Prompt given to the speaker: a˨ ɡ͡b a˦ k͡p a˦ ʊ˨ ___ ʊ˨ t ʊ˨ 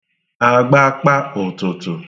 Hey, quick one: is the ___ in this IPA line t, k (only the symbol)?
t